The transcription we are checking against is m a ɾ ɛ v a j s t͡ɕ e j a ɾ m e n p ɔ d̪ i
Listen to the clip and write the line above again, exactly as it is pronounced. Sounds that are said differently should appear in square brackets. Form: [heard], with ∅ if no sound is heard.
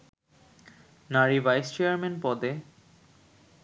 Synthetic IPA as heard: [n] a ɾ [i] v a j s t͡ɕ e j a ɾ m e n p ɔ d̪ [e]